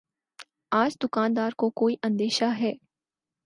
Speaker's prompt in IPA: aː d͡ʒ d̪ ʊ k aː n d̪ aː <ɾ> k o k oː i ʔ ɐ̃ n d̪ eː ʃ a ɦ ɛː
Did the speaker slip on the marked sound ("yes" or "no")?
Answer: no